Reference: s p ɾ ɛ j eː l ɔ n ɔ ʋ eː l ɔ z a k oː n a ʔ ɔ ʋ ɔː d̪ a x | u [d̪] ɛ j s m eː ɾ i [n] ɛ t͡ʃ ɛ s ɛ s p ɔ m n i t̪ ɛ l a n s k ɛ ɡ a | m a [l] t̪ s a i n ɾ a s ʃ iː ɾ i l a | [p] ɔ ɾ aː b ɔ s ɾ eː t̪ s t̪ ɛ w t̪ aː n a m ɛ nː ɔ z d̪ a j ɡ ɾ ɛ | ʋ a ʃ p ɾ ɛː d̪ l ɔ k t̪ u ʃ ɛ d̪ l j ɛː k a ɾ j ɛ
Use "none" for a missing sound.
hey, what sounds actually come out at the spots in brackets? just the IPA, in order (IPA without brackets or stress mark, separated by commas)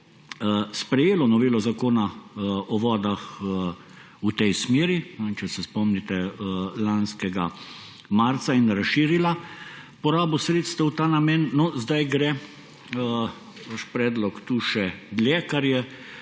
t̪, n, ɾ, p